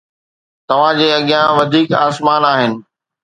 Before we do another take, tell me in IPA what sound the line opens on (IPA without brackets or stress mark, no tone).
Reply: t̪